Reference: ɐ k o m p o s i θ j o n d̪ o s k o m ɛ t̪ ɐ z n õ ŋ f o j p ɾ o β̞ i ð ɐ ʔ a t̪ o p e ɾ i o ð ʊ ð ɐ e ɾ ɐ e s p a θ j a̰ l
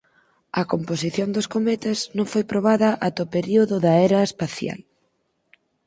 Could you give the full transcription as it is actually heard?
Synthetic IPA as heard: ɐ k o m p o s i θ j o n d̪ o s k o m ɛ t̪ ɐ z n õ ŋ f o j p ɾ o β̞ a ð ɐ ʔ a t̪ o p e ɾ i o ð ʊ ð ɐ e ɾ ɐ e s p a θ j a̰ l